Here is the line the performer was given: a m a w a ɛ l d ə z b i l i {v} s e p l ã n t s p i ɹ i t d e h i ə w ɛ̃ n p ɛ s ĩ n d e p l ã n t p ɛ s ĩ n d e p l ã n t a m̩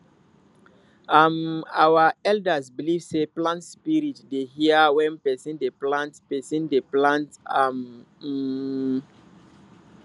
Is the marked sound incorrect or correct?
correct